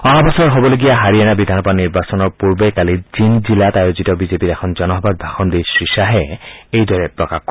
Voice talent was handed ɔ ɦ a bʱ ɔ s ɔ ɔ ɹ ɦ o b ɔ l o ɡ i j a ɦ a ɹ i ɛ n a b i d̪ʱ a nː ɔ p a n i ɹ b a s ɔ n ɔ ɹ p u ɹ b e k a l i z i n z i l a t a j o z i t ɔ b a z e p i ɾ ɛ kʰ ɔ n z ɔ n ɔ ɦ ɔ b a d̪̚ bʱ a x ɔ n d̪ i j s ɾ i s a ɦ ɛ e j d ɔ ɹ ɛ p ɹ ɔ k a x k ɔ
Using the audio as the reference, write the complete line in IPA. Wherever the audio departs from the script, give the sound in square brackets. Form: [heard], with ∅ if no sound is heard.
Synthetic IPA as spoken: ɔ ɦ a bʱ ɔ s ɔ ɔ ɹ ɦ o b ɔ l o ɡ i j a ɦ a ɹ i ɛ n a b i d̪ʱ a [n] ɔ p a n i ɹ b a s ɔ n ɔ ɹ p u ɹ b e k a l i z i n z i l a t a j o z i t ɔ b [i] z e p i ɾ ɛ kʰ ɔ n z ɔ n ɔ ɦ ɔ b a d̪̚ bʱ a x ɔ n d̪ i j s [ɹ] i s a ɦ ɛ e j d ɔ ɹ ɛ p ɹ ɔ k a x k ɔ